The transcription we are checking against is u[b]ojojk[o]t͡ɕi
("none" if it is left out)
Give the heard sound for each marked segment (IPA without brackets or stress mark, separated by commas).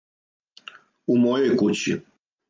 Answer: m, u